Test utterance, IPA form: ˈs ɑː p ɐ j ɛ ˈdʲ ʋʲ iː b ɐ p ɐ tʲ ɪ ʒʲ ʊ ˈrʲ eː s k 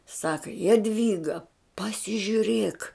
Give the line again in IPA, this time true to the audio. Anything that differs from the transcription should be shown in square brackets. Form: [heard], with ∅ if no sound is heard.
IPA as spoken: ˈs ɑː [k] ɐ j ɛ ˈdʲ ʋʲ iː [ɡ] ɐ p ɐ [sʲ] ɪ ʒʲ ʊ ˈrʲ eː [∅] k